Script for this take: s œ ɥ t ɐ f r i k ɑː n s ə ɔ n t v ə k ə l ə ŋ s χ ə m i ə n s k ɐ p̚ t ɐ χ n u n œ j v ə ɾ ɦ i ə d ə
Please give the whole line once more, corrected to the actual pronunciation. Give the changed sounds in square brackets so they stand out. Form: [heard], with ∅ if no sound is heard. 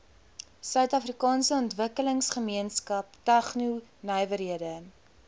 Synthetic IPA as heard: s œ ɥ t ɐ f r i k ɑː n s ə ɔ n t v ə k ə l ə ŋ s χ ə m i ə n s k ɐ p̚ t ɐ χ n u n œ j v ə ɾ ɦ i ə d ə

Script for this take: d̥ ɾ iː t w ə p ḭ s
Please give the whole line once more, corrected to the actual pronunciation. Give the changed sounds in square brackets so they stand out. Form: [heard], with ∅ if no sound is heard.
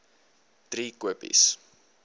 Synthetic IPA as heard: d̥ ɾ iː [k] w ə p ḭ s

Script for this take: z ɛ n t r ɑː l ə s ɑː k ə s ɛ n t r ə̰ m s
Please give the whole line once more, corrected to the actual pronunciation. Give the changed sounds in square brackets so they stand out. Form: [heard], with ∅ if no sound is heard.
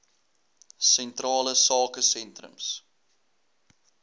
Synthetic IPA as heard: [s] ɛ n t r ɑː l ə s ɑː k ə s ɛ n t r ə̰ m s

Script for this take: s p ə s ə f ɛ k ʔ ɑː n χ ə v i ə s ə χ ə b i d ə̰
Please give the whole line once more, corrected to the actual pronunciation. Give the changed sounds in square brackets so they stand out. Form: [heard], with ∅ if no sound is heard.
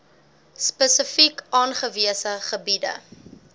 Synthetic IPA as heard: s p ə s ə f [i] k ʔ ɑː n χ ə v i ə s ə χ ə b i d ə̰

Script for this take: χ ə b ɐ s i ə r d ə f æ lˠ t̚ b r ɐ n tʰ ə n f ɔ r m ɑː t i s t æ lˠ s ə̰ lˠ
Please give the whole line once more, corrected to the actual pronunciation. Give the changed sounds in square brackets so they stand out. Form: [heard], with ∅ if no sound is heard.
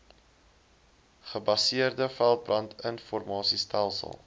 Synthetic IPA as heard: χ ə b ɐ s i ə r d ə f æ lˠ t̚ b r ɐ n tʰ ə n f ɔ r m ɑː [s] i s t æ lˠ s ə̰ lˠ

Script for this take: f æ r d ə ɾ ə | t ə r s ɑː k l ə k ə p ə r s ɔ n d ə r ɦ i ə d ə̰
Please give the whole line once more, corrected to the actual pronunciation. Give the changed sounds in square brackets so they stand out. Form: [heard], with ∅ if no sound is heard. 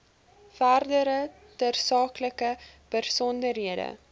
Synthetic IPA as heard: f æ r d ə ɾ ə | t ə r s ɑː k l ə k ə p ə r s ɔ n d ə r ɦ i ə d ə̰

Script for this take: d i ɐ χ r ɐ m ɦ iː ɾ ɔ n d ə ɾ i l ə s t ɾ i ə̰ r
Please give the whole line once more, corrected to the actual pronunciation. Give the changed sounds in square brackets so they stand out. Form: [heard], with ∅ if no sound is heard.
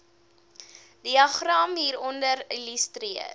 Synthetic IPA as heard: d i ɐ χ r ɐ m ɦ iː ɾ ɔ n d ə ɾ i l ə s t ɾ i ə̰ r

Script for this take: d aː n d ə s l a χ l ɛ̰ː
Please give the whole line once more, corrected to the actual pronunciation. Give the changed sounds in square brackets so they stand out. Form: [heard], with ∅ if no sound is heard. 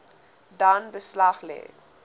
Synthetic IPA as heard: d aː n [b] ə s l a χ l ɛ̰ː

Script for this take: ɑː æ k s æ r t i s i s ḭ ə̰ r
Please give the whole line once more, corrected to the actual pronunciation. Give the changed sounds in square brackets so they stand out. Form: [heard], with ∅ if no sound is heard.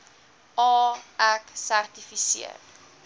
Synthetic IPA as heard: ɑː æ k s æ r t i [f] i s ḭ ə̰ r

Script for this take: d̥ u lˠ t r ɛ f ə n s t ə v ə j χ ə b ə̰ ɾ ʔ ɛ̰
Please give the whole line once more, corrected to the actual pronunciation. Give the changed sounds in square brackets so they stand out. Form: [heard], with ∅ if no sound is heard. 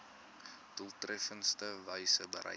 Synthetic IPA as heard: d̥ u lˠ t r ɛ f ə n s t ə v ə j [s] ə b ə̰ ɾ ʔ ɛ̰

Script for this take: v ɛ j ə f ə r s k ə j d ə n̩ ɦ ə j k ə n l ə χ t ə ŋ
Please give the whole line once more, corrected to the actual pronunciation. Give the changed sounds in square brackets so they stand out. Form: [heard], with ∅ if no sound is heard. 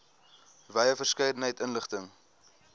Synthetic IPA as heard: v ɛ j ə f ə r s k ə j d ə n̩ ɦ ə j [t] ə n l ə χ t ə ŋ

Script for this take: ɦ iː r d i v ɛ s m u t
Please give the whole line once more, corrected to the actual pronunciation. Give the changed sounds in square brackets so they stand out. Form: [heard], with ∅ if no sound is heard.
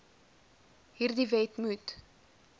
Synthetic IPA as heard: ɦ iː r d i v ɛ [t] m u t

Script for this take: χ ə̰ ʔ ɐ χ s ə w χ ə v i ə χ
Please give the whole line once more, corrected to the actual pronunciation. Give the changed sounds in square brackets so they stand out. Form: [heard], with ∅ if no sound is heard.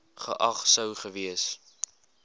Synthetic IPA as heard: χ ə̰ ʔ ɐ χ s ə w χ ə v i ə [s]

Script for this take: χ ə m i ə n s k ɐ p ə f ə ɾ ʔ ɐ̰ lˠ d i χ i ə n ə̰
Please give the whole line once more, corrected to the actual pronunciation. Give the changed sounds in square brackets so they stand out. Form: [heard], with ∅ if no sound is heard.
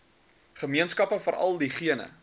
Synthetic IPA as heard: χ ə m i ə n s k ɐ p ə f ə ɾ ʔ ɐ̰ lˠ d i χ i ə n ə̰

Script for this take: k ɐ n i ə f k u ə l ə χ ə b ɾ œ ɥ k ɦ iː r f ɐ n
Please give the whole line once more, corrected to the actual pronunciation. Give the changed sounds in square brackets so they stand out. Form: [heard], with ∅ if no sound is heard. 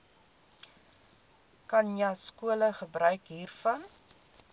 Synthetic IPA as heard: k ɐ n [j] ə [s] k u ə l ə χ ə b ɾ œ ɥ k ɦ iː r f ɐ n

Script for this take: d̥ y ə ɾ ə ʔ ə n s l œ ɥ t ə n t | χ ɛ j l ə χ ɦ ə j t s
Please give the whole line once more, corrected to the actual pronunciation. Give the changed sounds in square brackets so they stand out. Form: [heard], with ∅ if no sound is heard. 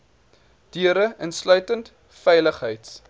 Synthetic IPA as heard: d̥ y ə ɾ ə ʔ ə n s l œ ɥ t ə n t | [f] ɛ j l ə χ ɦ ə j t s

